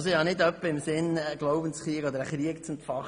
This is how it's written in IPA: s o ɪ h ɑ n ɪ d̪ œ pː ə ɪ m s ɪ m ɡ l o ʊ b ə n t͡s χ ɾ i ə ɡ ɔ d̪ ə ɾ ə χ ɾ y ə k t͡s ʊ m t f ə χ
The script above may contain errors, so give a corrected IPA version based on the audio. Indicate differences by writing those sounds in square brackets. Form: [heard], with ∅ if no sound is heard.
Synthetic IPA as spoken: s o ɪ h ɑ n ɪ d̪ œ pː ə ɪ m s ɪ [n] ɡ l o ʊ b ə n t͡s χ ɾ i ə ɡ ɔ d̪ ə ɾ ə χ ɾ [i] ə k t͡s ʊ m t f [ɑ] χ